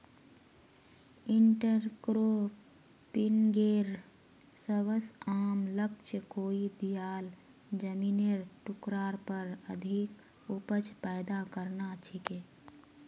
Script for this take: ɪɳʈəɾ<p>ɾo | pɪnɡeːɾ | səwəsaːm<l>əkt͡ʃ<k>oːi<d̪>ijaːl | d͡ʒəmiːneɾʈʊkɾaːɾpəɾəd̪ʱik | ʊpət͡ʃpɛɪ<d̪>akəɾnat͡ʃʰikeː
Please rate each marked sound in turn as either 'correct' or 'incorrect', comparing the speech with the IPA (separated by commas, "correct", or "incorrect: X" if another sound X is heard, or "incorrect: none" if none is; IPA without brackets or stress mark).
incorrect: k, correct, correct, correct, correct